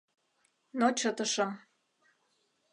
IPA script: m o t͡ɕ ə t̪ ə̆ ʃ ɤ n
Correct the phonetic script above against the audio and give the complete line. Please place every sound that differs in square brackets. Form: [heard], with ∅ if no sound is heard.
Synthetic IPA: [n] o t͡ɕ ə t̪ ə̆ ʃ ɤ [m]